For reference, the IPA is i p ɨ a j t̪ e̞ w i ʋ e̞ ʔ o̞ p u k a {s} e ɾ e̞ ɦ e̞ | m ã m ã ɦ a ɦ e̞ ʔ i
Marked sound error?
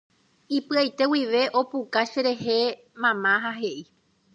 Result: yes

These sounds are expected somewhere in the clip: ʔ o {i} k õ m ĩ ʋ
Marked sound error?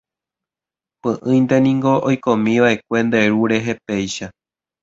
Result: yes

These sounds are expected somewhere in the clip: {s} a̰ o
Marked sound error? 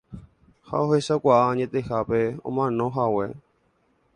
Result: yes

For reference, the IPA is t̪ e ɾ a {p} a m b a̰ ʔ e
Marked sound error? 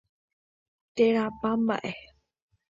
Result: no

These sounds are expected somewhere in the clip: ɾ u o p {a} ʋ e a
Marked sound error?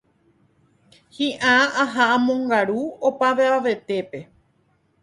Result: no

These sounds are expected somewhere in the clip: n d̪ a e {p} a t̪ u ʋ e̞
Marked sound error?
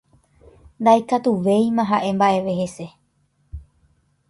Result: yes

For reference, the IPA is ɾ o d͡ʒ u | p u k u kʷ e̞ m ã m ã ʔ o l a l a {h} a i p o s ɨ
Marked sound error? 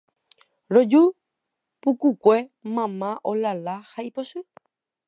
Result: no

